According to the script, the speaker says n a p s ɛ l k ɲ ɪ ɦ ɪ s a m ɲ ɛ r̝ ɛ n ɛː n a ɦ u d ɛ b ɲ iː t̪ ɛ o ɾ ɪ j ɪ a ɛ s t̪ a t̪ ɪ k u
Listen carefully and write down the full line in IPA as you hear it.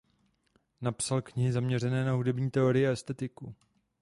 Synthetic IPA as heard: n a p s a l k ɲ ɪ ɦ ɪ z a m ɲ ɛ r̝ ɛ n ɛː n a ɦ u d ɛ b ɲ iː t̪ ɛ o ɾ ɪ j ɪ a ɛ s t̪ ɛ t̪ ɪ k u